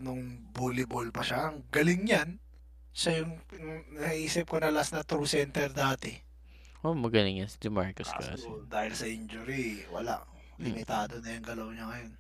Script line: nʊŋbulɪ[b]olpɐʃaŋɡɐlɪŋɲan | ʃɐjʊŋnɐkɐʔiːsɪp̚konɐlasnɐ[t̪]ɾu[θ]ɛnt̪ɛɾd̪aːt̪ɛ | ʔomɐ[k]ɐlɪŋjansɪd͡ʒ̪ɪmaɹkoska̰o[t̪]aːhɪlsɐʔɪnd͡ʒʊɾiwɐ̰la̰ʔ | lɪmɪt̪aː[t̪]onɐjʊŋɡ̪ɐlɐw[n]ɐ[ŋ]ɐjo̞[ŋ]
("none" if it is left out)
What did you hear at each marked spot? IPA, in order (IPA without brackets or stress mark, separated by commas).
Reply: b, t̪, s, ɡ, d̪, d̪, ɲ, ŋ, n